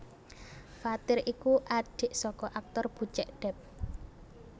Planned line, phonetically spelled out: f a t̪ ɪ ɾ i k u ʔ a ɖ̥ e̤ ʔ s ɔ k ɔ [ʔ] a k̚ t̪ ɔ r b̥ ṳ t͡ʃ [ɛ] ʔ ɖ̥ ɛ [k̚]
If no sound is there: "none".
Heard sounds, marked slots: ʔ, ɛ, p̚

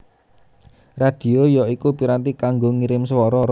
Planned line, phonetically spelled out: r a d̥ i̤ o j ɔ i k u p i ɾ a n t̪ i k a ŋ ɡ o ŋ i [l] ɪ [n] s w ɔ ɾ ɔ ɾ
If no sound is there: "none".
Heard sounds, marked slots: ɾ, m

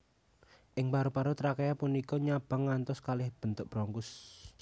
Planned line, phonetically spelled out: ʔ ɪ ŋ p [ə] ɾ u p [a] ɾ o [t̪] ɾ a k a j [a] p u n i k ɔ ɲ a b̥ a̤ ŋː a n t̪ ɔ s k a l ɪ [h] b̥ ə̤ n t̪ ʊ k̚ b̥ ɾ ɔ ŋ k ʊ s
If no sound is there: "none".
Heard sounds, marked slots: a, a, t̪, a, h

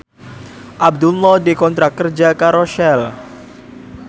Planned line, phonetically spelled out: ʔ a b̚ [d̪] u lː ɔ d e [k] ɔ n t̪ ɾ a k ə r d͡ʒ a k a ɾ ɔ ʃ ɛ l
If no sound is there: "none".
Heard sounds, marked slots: d̪, k

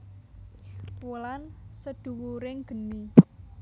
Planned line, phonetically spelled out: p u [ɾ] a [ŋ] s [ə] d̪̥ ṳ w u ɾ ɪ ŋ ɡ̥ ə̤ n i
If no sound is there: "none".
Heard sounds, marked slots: l, n, ə

